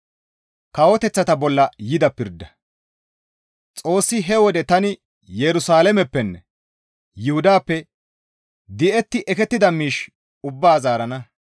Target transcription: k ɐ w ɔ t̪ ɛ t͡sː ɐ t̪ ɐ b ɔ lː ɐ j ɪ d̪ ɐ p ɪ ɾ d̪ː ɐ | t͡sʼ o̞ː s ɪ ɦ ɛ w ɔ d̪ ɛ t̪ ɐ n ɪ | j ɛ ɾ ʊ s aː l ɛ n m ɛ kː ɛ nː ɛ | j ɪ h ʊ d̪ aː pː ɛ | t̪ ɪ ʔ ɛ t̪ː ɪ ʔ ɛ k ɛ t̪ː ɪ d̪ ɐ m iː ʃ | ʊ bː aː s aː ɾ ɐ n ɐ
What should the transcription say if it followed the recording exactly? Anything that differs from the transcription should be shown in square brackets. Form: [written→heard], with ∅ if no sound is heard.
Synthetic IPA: k ɐ w ɔ t̪ ɛ t͡sː ɐ t̪ ɐ b ɔ lː ɐ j ɪ d̪ ɐ p ɪ ɾ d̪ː ɐ | t͡sʼ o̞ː [s→sː] ɪ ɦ ɛ w ɔ d̪ ɛ t̪ ɐ n ɪ | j ɛ ɾ ʊ s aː l ɛ [n→∅] m ɛ [kː→pː] ɛ nː ɛ | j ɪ h ʊ d̪ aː pː ɛ | [t̪→d̪] ɪ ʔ ɛ t̪ː ɪ ʔ ɛ k ɛ t̪ː ɪ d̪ ɐ m iː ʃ | ʊ bː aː [s→z] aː ɾ ɐ n ɐ